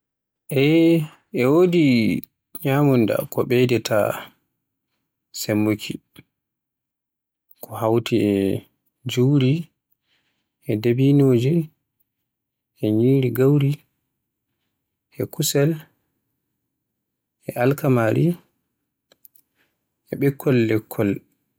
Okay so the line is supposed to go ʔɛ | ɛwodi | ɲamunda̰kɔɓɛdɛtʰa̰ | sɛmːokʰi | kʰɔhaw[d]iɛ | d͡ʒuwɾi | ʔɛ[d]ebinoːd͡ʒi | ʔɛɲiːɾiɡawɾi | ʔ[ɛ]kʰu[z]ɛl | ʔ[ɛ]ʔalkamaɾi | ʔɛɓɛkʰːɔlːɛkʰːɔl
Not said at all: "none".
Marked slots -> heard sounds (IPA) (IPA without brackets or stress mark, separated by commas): t, d, ɛ, s, ɛ